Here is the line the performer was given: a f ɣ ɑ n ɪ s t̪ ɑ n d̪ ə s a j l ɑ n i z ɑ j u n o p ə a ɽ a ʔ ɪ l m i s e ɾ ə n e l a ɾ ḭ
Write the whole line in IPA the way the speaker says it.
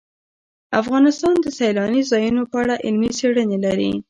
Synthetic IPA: a f ɣ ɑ n ɪ s t̪ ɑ n d̪ ə s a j l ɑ n i z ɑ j u n o p ə a ɽ a ʔ ɪ l m i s e ɽ ə n e l a ɾ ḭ